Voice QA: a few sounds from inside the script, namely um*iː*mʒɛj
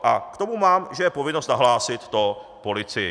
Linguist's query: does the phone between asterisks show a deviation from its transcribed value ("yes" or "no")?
yes